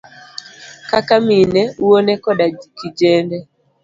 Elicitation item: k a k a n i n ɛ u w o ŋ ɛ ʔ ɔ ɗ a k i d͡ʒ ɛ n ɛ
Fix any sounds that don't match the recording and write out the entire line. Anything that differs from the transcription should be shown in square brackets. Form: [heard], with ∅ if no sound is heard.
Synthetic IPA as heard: k a k a [m] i n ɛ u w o [n] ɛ [k] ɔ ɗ a k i d͡ʒ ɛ n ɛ